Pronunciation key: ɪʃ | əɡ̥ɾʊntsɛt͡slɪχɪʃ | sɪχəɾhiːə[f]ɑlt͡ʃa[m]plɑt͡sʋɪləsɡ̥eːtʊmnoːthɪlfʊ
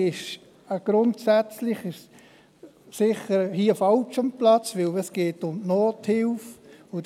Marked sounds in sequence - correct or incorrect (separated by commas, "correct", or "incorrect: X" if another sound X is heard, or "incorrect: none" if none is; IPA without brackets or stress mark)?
correct, correct